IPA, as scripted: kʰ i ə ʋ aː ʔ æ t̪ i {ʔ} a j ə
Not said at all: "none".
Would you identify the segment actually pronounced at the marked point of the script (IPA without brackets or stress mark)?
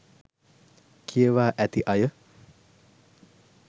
ʔ